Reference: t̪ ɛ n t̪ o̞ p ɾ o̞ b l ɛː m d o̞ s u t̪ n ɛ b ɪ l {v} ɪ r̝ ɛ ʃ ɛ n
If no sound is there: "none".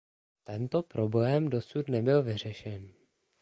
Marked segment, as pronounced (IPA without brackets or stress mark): v